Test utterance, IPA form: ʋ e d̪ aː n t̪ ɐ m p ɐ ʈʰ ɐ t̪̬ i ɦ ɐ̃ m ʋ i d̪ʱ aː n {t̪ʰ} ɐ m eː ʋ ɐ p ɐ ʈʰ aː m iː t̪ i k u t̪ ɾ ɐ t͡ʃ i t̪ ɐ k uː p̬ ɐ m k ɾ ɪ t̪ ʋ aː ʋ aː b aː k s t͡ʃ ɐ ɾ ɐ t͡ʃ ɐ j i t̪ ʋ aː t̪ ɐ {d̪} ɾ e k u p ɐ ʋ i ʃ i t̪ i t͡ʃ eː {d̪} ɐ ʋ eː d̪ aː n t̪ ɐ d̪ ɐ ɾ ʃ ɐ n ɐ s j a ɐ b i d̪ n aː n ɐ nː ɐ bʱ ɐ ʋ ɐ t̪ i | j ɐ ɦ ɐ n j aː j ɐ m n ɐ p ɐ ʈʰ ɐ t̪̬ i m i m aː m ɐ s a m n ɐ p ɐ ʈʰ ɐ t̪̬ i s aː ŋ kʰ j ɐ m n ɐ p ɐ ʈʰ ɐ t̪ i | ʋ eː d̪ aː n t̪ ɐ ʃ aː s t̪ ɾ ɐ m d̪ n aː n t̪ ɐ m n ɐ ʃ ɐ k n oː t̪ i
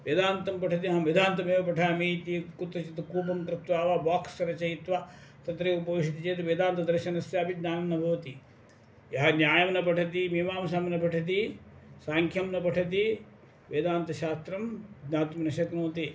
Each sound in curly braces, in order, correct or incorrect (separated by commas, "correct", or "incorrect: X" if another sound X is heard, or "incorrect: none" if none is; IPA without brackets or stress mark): incorrect: t̪, incorrect: t̪, incorrect: t̪